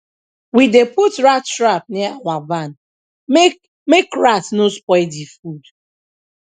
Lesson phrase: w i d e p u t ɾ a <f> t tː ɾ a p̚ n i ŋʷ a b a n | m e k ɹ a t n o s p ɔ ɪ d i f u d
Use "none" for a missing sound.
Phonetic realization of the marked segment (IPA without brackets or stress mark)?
none